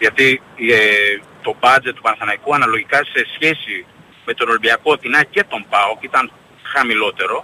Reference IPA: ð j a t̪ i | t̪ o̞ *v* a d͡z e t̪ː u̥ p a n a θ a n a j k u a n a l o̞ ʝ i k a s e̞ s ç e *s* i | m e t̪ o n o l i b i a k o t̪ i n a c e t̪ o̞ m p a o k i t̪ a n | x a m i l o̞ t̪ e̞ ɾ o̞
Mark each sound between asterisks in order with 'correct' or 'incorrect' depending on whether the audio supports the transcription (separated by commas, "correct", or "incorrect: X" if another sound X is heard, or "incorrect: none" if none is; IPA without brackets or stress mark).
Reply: incorrect: b, correct